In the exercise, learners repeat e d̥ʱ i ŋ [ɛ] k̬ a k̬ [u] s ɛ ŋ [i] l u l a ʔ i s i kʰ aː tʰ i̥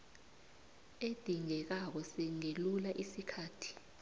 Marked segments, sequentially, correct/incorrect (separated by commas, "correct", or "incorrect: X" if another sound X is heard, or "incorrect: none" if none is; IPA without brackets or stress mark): correct, incorrect: ɔ, incorrect: e